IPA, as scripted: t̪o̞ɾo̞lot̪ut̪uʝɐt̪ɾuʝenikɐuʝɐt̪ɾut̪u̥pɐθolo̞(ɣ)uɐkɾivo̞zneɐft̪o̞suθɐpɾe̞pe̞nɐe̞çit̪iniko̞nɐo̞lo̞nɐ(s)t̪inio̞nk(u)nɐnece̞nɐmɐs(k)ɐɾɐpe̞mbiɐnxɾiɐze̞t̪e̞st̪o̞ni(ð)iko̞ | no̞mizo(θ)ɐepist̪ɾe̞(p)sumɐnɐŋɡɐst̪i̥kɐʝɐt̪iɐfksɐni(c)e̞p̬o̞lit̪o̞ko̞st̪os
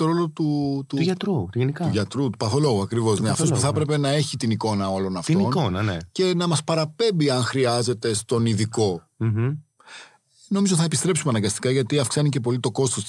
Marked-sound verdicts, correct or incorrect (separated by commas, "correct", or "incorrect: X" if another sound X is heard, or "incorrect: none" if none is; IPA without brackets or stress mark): correct, incorrect: f, incorrect: o, incorrect: p, correct, correct, correct, correct